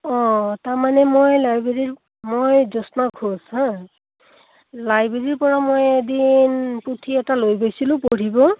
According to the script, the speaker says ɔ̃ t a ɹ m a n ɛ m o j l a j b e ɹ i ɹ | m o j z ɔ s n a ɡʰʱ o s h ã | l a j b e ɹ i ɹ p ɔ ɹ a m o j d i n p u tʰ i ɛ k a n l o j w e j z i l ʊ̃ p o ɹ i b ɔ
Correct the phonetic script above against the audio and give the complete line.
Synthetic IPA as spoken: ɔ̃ t a ɹ m a n ɛ m o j l a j b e ɹ i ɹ | m o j z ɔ s n a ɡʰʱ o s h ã | l a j b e ɹ i ɹ p ɔ ɹ a m o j d i n p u tʰ i ɛ t a l o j b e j s i l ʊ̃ p o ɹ i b ɔ